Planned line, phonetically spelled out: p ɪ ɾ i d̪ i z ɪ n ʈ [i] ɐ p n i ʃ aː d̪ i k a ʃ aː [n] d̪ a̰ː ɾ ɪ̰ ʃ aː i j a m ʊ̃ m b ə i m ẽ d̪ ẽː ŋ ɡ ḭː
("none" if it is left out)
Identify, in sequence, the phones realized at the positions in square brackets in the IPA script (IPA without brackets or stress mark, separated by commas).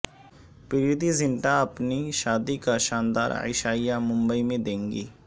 a, n